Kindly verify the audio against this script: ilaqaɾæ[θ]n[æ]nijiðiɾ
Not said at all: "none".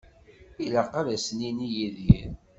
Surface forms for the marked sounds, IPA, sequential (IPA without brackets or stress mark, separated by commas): s, i